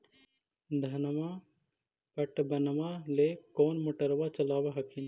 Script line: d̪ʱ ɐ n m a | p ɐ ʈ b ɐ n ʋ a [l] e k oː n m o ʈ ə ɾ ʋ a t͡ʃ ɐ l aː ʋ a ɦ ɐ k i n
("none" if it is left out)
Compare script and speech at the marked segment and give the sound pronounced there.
l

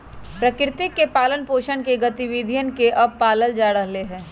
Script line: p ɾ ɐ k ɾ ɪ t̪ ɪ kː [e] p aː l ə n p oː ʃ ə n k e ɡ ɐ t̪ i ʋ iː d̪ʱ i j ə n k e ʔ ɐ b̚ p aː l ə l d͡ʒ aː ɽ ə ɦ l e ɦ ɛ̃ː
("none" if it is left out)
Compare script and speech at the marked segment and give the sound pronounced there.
e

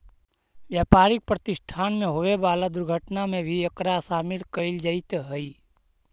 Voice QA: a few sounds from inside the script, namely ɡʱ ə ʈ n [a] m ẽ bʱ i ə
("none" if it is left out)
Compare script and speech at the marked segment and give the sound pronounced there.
a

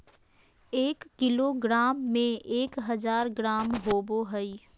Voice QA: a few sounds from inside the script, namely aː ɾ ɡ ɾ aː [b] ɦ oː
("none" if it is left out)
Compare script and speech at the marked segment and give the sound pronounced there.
m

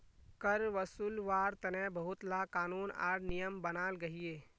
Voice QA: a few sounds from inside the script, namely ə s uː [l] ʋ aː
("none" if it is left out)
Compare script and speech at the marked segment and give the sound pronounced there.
l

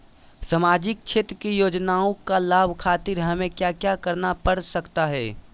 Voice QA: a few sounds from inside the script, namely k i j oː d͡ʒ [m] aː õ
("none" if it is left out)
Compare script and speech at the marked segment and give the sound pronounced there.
n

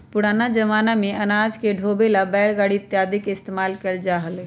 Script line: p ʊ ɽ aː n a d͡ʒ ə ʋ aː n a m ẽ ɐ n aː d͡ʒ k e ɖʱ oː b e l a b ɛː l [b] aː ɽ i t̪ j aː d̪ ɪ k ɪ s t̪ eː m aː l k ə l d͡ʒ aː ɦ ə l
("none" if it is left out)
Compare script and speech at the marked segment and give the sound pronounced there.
ɡ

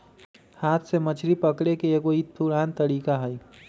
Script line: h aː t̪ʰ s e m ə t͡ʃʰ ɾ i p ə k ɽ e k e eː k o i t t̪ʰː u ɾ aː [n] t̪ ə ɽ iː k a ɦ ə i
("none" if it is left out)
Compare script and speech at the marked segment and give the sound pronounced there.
n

